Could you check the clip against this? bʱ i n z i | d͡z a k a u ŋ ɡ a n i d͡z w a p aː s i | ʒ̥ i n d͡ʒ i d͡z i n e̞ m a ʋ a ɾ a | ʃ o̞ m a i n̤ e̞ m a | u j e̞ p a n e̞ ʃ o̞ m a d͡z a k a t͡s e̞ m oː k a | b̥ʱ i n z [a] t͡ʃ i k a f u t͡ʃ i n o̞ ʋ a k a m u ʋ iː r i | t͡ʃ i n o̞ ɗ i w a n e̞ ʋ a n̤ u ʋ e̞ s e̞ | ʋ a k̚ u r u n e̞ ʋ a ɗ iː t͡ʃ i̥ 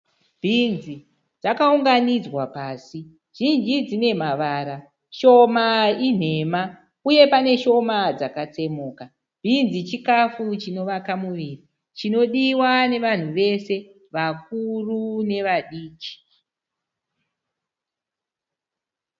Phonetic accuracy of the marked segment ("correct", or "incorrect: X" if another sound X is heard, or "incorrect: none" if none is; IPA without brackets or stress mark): incorrect: i